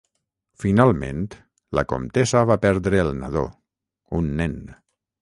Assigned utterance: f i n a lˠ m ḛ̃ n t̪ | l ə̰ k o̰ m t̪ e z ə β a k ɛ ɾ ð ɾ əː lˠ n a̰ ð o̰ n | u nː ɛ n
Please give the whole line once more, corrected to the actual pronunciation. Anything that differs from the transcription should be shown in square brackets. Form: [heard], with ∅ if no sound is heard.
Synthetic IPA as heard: f i n a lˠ m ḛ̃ n t̪ | l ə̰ k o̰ m t̪ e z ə β a [p] ɛ ɾ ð ɾ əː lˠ n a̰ ð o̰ [∅] | u nː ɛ n